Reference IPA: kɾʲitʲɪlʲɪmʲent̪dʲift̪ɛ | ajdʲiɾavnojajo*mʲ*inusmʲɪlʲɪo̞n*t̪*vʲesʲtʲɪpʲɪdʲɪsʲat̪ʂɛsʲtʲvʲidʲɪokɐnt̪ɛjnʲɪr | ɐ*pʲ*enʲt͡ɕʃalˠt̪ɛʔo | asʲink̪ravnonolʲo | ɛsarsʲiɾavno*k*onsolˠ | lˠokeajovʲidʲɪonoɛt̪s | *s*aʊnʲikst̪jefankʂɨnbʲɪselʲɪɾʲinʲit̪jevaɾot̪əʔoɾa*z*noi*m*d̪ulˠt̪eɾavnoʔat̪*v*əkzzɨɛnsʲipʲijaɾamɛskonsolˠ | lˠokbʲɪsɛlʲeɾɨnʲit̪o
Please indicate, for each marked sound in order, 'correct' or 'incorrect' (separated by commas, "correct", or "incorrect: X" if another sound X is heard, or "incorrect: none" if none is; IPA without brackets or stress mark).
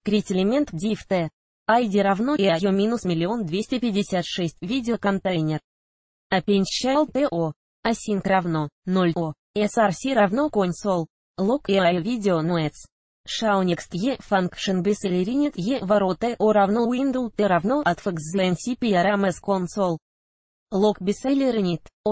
correct, incorrect: d̪, correct, correct, incorrect: ʂ, incorrect: v, incorrect: n, incorrect: f